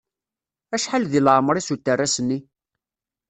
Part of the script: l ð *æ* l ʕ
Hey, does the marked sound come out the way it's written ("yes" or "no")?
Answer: no